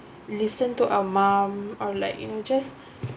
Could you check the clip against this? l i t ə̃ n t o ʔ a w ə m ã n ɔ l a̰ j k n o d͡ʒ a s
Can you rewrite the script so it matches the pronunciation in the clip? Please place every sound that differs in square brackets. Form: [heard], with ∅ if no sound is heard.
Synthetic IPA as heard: l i [s] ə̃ n t [u] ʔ a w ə m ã [m] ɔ l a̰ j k n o d͡ʒ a s